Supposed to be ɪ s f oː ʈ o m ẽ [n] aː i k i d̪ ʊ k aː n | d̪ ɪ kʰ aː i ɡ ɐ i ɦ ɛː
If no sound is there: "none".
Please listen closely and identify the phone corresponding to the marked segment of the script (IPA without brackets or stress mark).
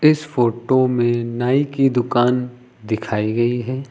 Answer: n